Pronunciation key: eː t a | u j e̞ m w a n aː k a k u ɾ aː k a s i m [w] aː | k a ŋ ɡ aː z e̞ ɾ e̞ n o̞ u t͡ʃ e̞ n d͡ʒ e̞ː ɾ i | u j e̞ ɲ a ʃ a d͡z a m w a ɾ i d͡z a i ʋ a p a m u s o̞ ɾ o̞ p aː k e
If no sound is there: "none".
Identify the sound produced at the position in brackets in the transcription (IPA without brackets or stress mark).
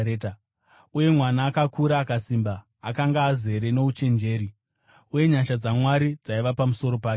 b